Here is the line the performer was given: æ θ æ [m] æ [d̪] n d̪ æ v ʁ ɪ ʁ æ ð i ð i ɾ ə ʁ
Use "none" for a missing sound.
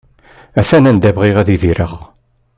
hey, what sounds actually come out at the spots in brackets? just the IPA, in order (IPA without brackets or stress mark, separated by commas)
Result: n, none